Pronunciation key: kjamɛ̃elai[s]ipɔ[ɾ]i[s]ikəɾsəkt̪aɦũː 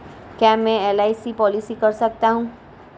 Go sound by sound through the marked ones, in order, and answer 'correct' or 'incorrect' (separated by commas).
correct, incorrect, correct